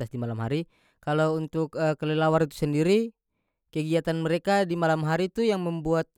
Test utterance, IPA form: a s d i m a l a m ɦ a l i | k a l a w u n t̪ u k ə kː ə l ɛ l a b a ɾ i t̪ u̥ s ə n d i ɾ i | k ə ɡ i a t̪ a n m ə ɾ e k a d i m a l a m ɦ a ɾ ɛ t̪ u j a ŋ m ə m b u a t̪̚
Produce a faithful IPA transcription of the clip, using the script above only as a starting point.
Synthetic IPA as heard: a s d i m a l a m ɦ a ɾ i | k a l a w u n t̪ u k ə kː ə l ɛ l a w a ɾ i t̪ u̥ s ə n d i ɾ i | k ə ɡ i a t̪ a n m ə ɾ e k a d i m a l a m ɦ a ɾ i t̪ u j a ŋ m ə m b u a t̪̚